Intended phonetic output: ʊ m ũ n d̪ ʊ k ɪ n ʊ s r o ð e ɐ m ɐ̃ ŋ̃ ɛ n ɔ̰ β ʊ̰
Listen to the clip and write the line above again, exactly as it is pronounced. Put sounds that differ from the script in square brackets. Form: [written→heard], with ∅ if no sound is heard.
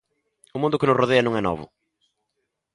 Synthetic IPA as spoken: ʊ m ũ n d̪ ʊ k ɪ n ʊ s r o ð e ɐ [m→n] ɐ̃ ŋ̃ ɛ n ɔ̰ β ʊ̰